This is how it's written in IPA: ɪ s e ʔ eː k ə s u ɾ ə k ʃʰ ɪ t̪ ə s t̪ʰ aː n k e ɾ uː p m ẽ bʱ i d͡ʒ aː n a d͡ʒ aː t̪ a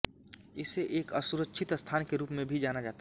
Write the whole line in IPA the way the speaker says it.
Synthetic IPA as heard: ɪ s e ʔ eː k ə s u ɾ ə k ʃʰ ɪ t̪ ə s t̪ʰ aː n k e ɾ uː p m ẽ bʱ i d͡ʒ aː n a d͡ʒ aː t̪ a